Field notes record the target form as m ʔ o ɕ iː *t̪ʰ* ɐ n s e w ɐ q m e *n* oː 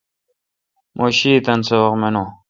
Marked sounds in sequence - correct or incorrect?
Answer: incorrect: t̪, correct

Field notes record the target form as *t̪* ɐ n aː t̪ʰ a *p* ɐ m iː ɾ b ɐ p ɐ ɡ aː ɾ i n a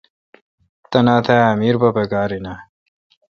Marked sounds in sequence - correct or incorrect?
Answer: correct, incorrect: none

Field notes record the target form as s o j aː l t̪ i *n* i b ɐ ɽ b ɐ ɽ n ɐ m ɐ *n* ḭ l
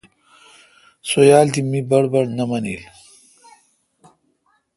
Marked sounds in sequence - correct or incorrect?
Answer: incorrect: m, correct

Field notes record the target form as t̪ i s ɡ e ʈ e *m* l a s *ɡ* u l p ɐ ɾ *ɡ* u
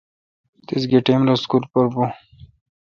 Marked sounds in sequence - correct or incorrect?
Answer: correct, incorrect: k, incorrect: b

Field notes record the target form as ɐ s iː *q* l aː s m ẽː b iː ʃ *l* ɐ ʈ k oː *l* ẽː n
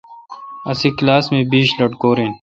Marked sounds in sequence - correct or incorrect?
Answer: incorrect: k, correct, incorrect: ɾ

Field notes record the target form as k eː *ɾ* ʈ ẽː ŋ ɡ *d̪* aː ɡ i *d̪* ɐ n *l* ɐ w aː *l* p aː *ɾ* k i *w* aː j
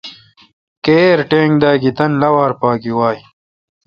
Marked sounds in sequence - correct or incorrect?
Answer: correct, correct, incorrect: t̪, correct, incorrect: ɾ, incorrect: none, correct

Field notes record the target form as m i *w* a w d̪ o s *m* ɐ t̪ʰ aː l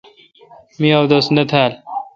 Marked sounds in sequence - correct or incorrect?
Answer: incorrect: none, incorrect: n

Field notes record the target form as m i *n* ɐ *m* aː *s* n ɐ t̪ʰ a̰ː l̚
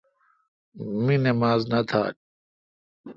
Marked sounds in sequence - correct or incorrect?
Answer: correct, correct, incorrect: z

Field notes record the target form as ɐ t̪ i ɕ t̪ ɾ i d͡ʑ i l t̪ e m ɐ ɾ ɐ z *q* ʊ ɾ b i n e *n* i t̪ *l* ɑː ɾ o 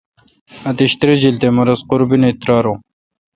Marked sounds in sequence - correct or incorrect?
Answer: correct, incorrect: none, incorrect: ɾ

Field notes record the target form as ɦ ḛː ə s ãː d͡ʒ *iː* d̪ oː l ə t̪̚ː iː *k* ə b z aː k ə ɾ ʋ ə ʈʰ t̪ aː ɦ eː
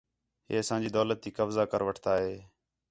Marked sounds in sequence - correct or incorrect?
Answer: correct, correct

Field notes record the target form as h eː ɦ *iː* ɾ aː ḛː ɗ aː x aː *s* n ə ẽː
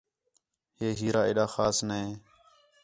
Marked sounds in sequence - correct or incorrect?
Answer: correct, correct

